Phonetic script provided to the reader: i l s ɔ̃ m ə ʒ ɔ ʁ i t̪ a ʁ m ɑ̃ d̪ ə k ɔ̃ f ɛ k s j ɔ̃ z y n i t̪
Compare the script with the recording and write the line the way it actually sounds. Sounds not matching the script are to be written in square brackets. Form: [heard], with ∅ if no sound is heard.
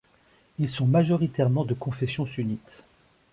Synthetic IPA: i l s ɔ̃ m [a] ʒ ɔ ʁ i t̪ [ɛ] ʁ m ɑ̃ d̪ ə k ɔ̃ f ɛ [∅] s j ɔ̃ [s] y n i t̪

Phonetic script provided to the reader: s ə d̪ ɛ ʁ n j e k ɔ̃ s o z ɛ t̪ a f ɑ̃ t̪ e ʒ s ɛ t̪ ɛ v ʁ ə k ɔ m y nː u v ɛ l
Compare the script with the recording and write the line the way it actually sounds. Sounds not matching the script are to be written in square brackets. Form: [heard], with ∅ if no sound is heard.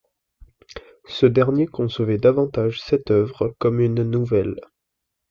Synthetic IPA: s ə d̪ ɛ ʁ n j e k ɔ̃ s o [v] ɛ [d̪] a [v] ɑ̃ t̪ [a] ʒ s ɛ t̪ [œ] v ʁ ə k ɔ m y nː u v ɛ l

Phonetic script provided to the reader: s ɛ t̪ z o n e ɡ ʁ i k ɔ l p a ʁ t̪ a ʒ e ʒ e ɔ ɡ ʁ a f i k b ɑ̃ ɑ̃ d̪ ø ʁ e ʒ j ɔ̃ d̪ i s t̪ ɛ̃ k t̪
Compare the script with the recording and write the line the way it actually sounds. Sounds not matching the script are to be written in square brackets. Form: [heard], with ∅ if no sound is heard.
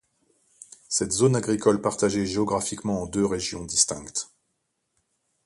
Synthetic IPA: s ɛ t̪ z o n [a] ɡ ʁ i k ɔ l p a ʁ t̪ a ʒ e ʒ e ɔ ɡ ʁ a f i k [m] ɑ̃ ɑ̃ d̪ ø ʁ e ʒ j ɔ̃ d̪ i s t̪ ɛ̃ k t̪

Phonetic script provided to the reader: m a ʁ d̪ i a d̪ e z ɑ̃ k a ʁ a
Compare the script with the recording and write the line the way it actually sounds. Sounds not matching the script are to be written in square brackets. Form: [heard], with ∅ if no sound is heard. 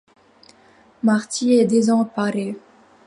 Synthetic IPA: m a ʁ [t̪] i [ɛ] d̪ e z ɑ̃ [p] a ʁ [e]

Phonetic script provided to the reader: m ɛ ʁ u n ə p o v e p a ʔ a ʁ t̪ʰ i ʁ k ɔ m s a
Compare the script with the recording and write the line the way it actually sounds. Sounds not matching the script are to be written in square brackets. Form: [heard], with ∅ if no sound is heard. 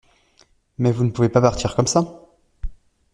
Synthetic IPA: m ɛ [v] u n ə p [u] v e p a [p] a ʁ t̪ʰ i ʁ k ɔ m s a

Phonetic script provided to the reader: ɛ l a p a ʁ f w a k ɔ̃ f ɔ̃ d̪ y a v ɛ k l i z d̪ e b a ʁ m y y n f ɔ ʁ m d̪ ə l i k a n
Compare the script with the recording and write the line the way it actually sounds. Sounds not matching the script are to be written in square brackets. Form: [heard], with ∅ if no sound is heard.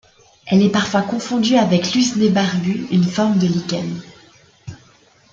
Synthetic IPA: ɛ l [ɛ] p a ʁ f w a k ɔ̃ f ɔ̃ d̪ y a v ɛ k l [y] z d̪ e b a ʁ [b] y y n f ɔ ʁ m d̪ ə l i k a n

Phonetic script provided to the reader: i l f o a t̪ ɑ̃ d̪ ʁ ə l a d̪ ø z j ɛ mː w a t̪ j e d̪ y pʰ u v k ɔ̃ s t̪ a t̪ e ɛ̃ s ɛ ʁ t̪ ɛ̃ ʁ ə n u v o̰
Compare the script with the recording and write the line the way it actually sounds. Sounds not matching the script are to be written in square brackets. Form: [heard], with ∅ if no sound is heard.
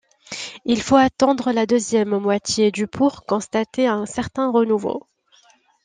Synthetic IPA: i l f o a t̪ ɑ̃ d̪ ʁ ə l a d̪ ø z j ɛ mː w a t̪ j e d̪ y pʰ u [ʁ] k ɔ̃ s t̪ a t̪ e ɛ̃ s ɛ ʁ t̪ ɛ̃ ʁ ə n u v o̰

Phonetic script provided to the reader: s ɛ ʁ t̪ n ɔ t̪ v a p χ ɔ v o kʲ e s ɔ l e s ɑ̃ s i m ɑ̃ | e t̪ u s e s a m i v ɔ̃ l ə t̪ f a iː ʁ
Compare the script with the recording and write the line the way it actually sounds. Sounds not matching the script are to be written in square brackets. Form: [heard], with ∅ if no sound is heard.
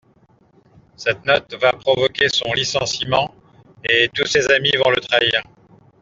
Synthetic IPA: s ɛ [∅] t̪ n ɔ t̪ v a p χ ɔ v [ɔ] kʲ e s [ɔ̃] l [i] s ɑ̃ s i m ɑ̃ | e t̪ u s e [z] a m i v ɔ̃ l ə t̪ [χ] a iː ʁ

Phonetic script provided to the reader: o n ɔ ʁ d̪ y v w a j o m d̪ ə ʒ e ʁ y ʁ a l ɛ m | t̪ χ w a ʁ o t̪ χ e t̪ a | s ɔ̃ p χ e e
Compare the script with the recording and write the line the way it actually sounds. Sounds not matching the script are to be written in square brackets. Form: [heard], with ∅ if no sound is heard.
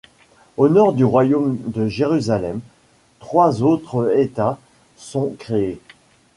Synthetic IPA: o n ɔ ʁ d̪ y [ʁ] w a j o m d̪ ə ʒ e ʁ y [z] a l ɛ m | t̪ χ w a [z] o t̪ χ e t̪ a | s ɔ̃ [k] χ e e

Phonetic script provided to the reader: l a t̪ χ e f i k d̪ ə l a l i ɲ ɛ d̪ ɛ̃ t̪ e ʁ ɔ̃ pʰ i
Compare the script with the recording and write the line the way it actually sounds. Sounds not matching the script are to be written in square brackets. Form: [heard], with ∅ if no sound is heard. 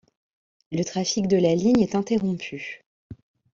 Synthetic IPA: l [ə] t̪ χ [a] f i k d̪ ə l a l i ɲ ɛ [t̪] ɛ̃ t̪ e ʁ ɔ̃ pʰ [y]

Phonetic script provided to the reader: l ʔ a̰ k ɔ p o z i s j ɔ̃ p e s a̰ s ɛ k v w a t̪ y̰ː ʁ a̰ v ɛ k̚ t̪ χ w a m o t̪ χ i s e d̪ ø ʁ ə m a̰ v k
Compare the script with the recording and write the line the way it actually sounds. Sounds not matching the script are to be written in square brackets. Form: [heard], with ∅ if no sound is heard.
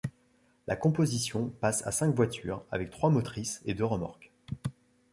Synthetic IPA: l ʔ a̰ k [ɔ̃] p o z i s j ɔ̃ p [a] s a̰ s [ɛ̃] k v w a t̪ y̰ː ʁ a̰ v ɛ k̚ t̪ χ w a m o t̪ χ i s e d̪ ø ʁ ə m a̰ [ʁ] k

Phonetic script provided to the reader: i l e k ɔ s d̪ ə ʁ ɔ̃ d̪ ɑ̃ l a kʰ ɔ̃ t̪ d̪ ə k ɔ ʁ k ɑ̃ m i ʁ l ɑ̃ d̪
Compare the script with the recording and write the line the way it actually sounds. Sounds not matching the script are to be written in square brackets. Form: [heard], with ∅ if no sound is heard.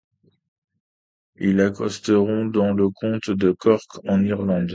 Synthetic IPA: i l [a] k ɔ s [t̪] ə ʁ ɔ̃ d̪ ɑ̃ l [ə] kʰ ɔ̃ t̪ d̪ ə k ɔ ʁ k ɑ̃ [n] i ʁ l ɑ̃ d̪

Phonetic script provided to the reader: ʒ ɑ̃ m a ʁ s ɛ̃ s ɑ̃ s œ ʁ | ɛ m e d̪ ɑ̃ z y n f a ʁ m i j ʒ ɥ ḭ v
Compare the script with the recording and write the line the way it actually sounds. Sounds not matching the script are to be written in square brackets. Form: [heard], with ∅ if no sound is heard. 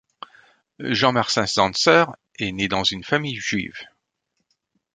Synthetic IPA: ʒ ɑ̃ m a ʁ s ɛ̃ s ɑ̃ s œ ʁ | ɛ [n] e d̪ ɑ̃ z y n f a [∅] m i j ʒ ɥ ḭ v

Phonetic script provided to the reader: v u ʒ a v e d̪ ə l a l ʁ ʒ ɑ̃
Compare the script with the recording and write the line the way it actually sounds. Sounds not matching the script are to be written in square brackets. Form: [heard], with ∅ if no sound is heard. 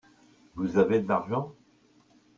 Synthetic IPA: v u [z] a v e d̪ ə l a [∅] ʁ ʒ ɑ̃

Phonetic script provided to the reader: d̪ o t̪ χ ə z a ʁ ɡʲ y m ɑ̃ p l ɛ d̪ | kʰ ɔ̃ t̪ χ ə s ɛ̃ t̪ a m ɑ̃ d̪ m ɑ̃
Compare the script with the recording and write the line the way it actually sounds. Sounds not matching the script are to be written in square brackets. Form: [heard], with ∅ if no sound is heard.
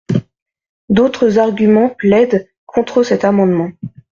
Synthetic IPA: d̪ o t̪ χ ə z a ʁ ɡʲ y m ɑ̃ p l ɛ d̪ | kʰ ɔ̃ t̪ χ ə s [ɛ] t̪ a m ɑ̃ d̪ m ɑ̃

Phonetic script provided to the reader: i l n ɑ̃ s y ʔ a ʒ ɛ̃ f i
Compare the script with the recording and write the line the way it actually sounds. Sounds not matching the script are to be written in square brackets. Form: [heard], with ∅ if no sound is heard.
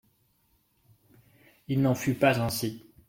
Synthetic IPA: i l n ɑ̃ [f] y [p] a [z] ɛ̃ [s] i

